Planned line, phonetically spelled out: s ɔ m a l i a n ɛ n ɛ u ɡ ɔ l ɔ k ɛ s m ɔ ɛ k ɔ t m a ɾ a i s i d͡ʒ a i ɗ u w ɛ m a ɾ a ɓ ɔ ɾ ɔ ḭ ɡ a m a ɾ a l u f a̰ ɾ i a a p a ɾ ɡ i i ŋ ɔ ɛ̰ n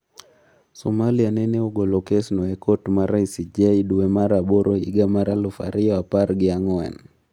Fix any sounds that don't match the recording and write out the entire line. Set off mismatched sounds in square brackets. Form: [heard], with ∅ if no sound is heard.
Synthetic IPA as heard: s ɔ m a l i a n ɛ n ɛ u ɡ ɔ l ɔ k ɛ s [n] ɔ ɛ k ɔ t m a ɾ a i s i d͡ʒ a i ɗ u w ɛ m a ɾ a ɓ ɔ ɾ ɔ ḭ ɡ a m a ɾ a l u f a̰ ɾ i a a p a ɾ ɡ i [a] ŋ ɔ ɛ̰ n